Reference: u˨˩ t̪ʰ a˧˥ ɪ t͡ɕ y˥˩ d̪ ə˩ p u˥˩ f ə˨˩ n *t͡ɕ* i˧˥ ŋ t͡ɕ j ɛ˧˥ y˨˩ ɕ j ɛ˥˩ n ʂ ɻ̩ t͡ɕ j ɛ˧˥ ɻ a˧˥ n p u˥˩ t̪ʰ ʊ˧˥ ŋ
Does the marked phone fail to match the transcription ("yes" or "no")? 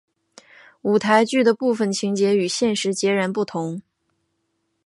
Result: yes